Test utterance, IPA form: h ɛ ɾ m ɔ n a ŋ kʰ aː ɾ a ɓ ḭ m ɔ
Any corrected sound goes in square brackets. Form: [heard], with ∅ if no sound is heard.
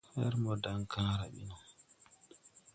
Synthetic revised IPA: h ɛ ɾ m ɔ [d] a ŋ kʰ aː ɾ a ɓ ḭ [n] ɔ